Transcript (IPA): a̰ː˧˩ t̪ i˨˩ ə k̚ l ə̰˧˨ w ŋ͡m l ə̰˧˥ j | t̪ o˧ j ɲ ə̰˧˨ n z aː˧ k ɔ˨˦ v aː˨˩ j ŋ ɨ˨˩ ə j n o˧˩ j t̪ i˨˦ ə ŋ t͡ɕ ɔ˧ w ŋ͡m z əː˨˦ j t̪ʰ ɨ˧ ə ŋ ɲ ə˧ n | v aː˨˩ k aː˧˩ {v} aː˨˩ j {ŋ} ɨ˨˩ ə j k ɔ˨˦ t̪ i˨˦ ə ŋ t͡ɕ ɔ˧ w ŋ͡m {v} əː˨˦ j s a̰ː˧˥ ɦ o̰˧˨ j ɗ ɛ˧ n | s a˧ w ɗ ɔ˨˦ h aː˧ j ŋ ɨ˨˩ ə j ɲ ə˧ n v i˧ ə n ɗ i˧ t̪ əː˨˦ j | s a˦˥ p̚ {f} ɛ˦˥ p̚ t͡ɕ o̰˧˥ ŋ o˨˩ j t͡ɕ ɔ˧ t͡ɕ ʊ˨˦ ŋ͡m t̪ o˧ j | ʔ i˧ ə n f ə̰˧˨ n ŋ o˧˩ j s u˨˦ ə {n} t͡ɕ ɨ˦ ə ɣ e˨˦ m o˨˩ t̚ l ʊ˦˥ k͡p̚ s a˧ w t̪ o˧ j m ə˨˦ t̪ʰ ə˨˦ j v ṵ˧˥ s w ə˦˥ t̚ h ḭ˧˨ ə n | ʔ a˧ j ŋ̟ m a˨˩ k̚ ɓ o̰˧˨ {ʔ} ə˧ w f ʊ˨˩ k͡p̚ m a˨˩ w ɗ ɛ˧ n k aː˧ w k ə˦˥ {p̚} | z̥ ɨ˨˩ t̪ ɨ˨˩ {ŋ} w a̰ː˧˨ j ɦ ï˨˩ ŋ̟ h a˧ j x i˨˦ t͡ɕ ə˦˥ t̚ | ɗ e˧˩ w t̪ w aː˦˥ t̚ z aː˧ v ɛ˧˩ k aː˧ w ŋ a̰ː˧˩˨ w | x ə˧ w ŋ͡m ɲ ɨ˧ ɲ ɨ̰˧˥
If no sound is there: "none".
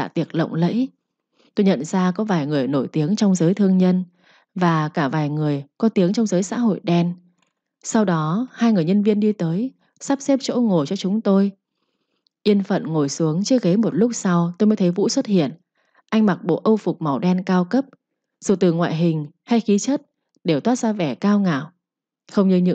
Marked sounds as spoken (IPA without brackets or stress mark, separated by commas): v, ŋ, z, s, ŋ, ʔ, p̚, ŋ